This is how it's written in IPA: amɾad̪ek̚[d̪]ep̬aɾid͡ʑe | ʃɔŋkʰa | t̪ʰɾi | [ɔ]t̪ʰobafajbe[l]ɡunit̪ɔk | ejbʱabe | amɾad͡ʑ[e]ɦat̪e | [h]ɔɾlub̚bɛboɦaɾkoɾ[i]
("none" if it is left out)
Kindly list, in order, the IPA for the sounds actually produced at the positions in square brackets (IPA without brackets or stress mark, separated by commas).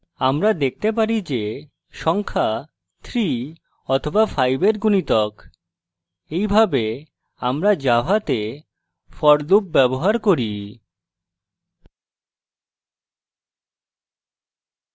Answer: t̪, ɔ, ɾ, a, f, i